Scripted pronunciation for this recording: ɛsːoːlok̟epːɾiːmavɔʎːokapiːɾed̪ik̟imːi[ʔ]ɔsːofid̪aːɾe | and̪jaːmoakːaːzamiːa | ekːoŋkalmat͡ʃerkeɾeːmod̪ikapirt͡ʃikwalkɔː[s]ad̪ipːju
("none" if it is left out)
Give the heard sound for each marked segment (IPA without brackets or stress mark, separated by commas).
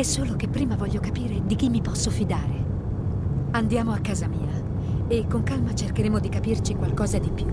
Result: p, z